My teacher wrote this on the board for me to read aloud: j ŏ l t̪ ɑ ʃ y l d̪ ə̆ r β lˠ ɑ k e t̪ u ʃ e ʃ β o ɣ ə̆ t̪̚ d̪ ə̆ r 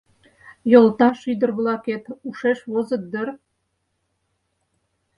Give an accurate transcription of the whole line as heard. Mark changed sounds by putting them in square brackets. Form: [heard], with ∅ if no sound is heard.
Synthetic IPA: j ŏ l t̪ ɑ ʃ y [∅] d̪ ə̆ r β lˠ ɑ k e t̪ u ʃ e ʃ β o [z] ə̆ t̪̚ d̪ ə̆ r